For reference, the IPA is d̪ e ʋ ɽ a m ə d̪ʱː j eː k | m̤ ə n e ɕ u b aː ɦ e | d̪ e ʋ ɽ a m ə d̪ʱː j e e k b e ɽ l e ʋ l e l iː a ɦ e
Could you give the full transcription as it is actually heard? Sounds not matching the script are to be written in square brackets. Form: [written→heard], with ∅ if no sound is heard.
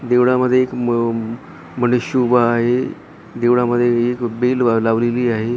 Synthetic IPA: d̪ e ʋ ɽ a m ə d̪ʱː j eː k | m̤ ə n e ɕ u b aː ɦ e | d̪ e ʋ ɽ a m ə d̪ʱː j e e k b e [ɽ→l] l [e→a] ʋ l e l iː a ɦ e